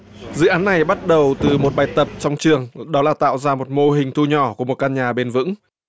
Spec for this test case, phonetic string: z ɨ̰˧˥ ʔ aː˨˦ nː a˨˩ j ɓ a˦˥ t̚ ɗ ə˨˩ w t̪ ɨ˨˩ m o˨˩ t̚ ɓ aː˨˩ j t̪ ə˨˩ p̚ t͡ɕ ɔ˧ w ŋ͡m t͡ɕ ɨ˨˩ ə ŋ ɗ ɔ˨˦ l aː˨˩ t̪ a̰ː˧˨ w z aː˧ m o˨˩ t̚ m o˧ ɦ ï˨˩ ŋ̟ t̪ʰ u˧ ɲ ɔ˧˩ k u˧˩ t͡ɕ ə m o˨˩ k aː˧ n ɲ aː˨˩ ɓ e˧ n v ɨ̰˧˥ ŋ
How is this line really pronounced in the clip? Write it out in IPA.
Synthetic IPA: z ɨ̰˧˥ ʔ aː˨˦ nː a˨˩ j ɓ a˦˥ t̚ ɗ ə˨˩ w t̪ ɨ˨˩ m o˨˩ t̚ ɓ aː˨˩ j t̪ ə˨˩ p̚ t͡ɕ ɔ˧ w ŋ͡m t͡ɕ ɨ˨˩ ə ŋ ɗ ɔ˨˦ l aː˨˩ t̪ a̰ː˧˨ w z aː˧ m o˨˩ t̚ m o˧ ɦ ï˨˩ ŋ̟ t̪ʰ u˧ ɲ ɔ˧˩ k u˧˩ ə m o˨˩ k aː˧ n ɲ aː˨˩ ɓ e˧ n v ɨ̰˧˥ ŋ